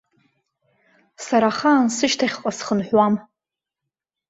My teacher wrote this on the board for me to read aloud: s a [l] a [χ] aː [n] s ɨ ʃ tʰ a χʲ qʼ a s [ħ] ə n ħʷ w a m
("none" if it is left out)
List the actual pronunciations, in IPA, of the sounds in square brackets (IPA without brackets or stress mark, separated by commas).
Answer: ɾ, χ, n, χ